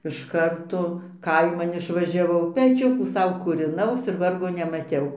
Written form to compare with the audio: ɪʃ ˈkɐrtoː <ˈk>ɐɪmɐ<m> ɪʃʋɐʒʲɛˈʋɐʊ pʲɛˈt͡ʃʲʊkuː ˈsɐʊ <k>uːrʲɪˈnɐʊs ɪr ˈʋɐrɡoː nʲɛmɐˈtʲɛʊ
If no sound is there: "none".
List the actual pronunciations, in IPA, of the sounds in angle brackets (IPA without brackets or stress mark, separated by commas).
k, n, k